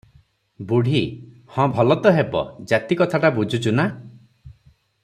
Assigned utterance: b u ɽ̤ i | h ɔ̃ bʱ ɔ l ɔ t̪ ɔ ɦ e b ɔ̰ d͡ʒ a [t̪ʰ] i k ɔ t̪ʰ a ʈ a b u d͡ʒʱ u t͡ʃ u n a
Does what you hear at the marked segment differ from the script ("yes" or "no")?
yes